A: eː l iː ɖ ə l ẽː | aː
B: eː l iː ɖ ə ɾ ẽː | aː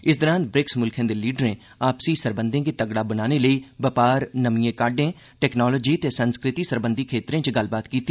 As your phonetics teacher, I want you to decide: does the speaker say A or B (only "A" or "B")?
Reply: B